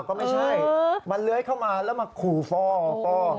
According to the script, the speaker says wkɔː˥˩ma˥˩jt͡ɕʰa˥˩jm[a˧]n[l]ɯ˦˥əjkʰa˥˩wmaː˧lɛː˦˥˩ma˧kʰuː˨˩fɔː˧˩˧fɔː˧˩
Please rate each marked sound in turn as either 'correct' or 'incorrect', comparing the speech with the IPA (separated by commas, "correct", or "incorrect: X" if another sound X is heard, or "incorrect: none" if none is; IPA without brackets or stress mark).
correct, correct